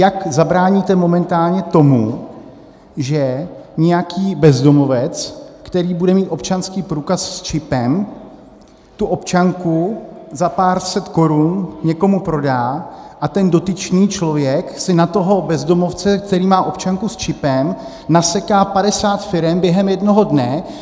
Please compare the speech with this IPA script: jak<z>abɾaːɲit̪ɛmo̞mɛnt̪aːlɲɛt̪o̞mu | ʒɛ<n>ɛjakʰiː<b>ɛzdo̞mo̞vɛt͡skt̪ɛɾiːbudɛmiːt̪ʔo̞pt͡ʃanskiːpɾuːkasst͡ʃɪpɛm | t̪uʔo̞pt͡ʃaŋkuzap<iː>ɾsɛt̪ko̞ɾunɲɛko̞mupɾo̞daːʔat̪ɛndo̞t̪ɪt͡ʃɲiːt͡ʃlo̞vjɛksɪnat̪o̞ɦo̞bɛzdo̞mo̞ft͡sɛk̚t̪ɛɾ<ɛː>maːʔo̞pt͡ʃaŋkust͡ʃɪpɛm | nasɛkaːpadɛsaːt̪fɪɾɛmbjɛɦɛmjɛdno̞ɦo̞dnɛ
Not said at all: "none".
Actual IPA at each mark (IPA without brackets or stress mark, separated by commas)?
z, ɲ, b, aː, iː